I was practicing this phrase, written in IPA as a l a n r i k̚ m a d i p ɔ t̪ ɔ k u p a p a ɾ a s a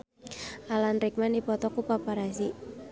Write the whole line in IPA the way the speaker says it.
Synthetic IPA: a l a n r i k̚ m a n i p ɔ t̪ ɔ k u p a p a ɾ a s i